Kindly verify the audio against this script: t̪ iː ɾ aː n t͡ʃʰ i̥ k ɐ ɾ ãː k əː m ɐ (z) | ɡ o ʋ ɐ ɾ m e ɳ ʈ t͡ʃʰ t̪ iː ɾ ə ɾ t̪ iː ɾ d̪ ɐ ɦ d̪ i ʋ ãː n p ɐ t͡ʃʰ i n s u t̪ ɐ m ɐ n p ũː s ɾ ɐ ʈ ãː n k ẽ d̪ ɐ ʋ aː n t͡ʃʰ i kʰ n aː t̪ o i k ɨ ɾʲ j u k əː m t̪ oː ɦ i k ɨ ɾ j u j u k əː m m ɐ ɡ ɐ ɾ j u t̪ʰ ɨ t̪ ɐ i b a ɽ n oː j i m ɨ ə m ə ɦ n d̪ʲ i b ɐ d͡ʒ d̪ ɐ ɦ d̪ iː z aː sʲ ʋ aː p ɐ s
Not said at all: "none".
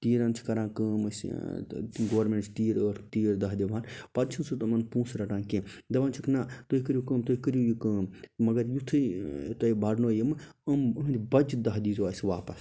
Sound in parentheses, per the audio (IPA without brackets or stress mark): s